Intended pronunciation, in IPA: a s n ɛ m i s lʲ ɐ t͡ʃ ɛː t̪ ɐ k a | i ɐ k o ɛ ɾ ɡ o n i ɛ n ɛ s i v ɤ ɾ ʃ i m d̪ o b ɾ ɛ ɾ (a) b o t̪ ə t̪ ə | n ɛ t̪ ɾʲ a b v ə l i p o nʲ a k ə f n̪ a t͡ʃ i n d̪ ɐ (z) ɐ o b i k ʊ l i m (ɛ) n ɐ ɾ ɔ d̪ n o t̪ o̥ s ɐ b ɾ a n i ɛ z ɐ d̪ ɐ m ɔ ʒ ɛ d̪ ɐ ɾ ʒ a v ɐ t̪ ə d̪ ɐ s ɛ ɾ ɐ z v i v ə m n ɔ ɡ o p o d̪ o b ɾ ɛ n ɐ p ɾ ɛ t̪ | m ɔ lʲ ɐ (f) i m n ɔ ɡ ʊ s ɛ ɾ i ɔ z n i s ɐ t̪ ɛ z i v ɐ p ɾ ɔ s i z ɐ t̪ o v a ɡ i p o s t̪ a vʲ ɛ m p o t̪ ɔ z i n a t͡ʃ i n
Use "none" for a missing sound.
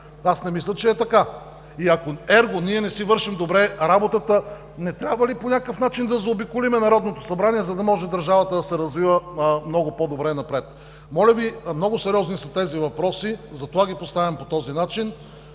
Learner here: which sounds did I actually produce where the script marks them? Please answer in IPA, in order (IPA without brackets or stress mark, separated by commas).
a, z, ɛ, v